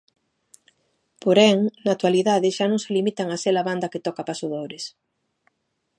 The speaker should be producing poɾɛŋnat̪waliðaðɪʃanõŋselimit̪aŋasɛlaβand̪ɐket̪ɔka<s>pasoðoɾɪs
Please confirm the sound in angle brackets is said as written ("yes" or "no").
no